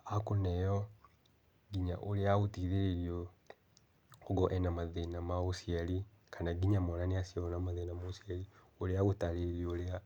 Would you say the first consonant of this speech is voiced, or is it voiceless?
voiceless